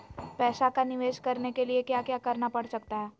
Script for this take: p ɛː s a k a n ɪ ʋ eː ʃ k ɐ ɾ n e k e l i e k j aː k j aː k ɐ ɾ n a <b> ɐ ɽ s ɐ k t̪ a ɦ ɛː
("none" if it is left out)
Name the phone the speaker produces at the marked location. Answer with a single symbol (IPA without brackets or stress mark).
p